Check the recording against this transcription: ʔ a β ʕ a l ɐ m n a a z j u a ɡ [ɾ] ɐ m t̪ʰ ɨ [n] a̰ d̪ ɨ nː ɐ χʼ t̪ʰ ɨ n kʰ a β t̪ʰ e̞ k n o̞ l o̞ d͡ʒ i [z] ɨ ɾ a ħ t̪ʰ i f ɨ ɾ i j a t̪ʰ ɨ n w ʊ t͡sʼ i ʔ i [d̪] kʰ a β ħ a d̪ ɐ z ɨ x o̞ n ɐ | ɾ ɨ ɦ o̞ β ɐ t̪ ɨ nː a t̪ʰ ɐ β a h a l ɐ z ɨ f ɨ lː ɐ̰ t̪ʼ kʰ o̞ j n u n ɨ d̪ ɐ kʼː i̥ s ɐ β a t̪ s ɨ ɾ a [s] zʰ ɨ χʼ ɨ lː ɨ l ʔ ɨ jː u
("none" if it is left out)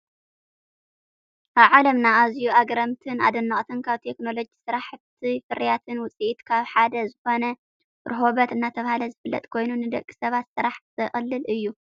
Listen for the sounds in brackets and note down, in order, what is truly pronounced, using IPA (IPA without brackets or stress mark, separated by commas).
ɾ, n, s, t̪, ħ